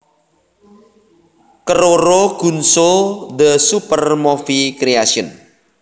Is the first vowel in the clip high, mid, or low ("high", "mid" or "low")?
mid